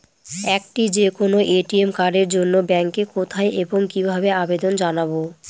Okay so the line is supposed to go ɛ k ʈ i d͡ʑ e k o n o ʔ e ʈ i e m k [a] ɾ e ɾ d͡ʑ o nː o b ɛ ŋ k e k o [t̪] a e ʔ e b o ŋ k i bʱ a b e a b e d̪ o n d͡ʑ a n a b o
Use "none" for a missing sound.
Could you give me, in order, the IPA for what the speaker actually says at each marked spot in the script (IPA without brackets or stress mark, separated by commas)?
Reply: a, t̪ʰ